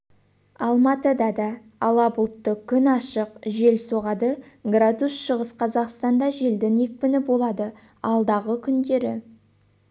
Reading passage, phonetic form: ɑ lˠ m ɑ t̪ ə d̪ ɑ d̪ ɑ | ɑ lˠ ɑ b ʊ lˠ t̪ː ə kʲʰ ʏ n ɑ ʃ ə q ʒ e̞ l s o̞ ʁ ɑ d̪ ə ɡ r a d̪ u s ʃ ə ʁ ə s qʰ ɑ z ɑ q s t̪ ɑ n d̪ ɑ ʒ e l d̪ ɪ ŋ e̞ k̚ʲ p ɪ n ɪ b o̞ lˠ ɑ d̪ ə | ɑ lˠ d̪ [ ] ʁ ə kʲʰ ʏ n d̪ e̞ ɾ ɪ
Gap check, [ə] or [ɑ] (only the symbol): ɑ